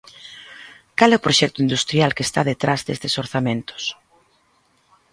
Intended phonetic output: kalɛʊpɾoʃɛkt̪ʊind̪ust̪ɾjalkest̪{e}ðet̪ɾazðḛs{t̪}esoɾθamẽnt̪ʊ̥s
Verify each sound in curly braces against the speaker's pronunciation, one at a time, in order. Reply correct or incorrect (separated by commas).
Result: incorrect, correct